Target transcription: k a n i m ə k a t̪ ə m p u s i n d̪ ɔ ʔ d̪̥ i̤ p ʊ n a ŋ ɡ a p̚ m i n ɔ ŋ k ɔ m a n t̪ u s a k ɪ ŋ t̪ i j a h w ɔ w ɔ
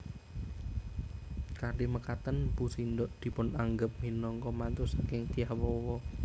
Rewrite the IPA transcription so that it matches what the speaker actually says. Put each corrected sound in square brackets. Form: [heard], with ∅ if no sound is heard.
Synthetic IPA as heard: k a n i m ə k a t̪ ə [n] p u s i n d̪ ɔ ʔ d̪̥ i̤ p ʊ n a ŋ ɡ [ə] p̚ m i n ɔ ŋ k ɔ m a n t̪ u s a k ɪ ŋ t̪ i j a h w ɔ w ɔ